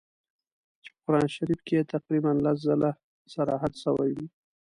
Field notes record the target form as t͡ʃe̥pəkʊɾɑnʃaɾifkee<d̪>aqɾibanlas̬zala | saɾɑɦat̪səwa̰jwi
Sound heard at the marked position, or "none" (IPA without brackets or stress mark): t̪